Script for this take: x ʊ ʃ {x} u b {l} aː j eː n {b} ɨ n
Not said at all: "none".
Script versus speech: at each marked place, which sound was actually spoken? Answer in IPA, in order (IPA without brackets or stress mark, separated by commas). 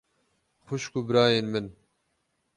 k, ɾ, m